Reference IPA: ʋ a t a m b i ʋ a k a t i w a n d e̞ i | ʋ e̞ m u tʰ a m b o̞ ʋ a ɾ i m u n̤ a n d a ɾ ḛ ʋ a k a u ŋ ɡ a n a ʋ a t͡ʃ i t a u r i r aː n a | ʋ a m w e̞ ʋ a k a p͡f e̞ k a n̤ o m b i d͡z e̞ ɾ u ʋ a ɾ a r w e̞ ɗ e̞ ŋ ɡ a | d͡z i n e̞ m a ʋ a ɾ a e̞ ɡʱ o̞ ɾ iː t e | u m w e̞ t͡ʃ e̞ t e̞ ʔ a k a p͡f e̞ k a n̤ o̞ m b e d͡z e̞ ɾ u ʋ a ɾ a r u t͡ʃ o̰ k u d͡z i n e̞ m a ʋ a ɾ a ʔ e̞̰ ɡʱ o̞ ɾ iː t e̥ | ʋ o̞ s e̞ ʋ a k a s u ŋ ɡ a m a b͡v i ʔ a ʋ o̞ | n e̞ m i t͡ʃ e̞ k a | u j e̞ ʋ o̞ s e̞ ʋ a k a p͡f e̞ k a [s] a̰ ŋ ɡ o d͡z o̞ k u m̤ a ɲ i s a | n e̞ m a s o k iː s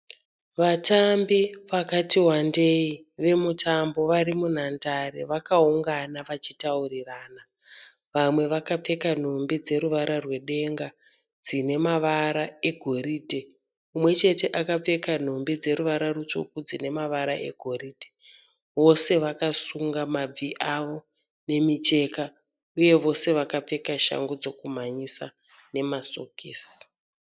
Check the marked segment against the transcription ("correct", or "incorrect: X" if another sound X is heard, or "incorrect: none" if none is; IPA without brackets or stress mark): incorrect: ʃ